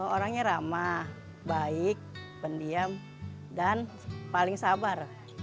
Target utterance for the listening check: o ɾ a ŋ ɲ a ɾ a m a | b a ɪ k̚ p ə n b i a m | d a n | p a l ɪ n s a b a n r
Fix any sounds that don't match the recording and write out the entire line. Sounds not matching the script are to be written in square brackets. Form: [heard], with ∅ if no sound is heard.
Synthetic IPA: o ɾ a ŋ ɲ a ɾ a m a | b a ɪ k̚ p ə n [d] i a m | d a n | p a l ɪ [ŋ] s a b a [∅] r